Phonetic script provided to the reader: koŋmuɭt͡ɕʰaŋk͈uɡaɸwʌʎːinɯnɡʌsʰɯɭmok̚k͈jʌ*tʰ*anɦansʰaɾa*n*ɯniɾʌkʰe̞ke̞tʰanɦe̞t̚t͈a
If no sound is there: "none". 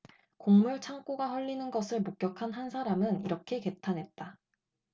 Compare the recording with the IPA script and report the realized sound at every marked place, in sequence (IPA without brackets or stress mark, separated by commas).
kʰ, m